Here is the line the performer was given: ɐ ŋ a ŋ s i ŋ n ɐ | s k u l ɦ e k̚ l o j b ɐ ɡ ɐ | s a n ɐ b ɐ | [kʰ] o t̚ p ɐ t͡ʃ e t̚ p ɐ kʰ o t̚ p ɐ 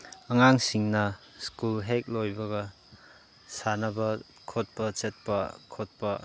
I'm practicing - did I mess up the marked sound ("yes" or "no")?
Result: no